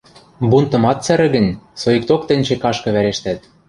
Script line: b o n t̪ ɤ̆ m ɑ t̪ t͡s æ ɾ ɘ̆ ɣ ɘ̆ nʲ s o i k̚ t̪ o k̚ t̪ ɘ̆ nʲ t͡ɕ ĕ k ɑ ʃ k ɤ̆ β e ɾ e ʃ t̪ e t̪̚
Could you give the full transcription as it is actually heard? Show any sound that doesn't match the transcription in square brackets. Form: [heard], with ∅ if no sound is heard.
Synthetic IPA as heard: b [u] n t̪ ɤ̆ m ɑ t̪ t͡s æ ɾ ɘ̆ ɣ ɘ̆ nʲ s o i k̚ t̪ o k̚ t̪ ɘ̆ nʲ t͡ɕ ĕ k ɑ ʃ k ɤ̆ β [æ] ɾ e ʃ t̪ [æ] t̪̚